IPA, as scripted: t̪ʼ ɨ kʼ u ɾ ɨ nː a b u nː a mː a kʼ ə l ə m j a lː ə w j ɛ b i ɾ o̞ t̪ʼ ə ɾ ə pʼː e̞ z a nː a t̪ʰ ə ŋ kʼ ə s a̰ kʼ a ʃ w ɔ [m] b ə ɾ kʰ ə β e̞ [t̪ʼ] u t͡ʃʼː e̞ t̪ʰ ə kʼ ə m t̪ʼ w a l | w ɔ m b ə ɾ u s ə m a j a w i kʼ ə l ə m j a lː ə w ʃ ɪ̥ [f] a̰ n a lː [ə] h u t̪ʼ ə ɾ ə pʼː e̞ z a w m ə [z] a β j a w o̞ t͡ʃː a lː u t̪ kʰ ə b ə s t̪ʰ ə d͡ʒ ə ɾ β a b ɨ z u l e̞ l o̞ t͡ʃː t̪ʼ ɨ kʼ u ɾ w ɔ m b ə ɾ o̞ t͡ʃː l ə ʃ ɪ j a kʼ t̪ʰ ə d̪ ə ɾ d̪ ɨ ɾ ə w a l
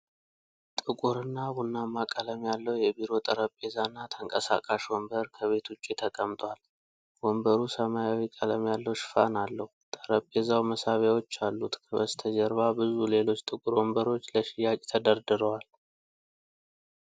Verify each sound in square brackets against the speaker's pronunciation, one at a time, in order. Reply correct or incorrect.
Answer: correct, incorrect, correct, correct, incorrect

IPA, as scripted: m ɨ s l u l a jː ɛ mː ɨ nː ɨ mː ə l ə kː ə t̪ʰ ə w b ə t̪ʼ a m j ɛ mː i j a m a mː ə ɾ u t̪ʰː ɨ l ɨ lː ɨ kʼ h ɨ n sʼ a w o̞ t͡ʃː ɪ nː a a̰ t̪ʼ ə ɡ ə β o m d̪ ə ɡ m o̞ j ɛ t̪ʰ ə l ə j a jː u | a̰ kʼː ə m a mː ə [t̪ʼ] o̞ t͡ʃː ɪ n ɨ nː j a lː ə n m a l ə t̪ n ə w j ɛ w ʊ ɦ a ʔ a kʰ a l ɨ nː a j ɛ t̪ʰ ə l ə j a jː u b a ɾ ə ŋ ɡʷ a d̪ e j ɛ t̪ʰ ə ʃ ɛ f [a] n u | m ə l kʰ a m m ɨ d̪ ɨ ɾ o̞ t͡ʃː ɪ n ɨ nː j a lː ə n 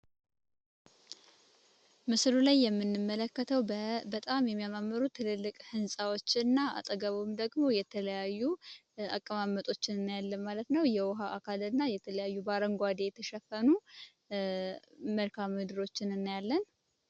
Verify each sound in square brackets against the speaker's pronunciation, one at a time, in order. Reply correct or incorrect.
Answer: correct, incorrect

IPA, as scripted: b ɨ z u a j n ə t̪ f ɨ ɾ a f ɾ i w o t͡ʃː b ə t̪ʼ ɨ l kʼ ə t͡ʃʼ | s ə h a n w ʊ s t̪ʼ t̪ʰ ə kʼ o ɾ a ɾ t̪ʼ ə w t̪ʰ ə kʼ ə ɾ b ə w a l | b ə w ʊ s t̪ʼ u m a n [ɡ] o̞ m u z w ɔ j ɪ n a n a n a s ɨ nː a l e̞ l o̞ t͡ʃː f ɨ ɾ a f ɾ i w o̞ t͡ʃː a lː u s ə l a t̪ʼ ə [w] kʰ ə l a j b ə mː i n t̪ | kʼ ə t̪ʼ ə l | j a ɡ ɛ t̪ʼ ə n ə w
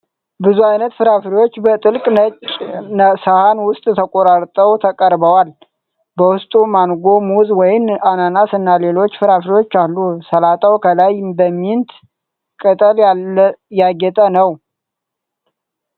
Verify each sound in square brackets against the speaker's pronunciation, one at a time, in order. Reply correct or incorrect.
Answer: correct, correct

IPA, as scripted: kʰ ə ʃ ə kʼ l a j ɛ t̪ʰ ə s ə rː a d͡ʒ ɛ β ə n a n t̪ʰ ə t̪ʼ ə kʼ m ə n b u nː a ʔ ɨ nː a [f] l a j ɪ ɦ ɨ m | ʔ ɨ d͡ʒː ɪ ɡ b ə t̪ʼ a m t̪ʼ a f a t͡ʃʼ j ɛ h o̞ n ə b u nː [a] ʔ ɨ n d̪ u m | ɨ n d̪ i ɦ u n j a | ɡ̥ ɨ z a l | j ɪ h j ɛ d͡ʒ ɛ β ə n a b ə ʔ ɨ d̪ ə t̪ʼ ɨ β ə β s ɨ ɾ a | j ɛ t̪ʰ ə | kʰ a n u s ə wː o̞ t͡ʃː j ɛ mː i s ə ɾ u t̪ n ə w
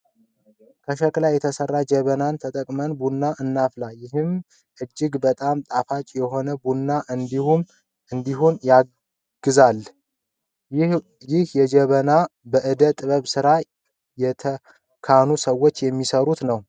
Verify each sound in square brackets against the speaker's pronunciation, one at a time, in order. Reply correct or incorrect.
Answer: correct, correct

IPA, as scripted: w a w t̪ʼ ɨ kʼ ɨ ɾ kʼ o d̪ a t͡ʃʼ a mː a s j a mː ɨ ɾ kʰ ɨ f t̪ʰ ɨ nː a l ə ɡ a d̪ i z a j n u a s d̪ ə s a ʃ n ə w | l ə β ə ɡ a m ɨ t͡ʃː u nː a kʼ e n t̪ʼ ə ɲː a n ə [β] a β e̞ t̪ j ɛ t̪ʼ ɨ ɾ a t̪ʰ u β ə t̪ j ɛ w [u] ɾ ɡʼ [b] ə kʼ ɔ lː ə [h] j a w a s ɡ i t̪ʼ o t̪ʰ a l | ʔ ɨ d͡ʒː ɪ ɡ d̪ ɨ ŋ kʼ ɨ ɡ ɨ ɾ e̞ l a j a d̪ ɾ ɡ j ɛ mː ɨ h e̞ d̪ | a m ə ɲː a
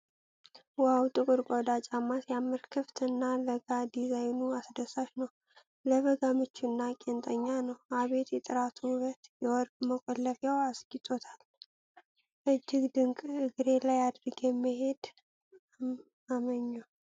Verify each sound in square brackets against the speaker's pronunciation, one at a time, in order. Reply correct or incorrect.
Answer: incorrect, incorrect, incorrect, incorrect

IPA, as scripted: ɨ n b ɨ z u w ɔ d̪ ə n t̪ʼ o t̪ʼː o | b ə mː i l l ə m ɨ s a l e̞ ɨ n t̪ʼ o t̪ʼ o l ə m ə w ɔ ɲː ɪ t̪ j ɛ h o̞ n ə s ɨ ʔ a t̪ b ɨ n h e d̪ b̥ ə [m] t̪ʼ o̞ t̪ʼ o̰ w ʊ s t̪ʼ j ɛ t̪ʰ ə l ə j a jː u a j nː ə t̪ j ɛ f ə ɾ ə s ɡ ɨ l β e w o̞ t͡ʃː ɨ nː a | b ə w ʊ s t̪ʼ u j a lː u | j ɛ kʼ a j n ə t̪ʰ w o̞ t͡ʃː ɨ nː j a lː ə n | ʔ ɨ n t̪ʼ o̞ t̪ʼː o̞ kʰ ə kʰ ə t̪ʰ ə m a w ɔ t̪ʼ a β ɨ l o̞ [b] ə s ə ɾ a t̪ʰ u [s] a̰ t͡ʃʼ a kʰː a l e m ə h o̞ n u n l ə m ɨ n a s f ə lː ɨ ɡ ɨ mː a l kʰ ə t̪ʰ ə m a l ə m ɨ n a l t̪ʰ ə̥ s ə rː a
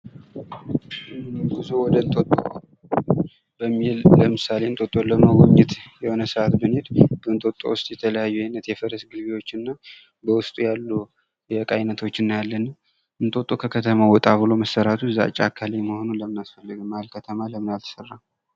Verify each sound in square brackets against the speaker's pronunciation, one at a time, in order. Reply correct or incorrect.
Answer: incorrect, incorrect, incorrect

